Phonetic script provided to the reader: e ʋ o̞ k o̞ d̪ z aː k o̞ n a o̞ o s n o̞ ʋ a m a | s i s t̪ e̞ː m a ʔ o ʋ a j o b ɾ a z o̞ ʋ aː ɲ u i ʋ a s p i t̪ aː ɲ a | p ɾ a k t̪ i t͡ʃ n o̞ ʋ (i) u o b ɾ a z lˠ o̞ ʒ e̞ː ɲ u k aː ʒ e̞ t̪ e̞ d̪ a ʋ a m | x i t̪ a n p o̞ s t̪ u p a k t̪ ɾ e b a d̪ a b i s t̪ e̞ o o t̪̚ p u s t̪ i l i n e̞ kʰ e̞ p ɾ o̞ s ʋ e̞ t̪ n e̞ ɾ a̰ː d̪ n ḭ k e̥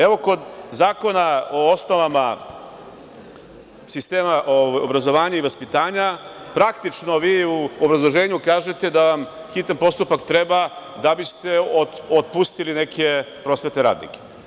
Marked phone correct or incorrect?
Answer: incorrect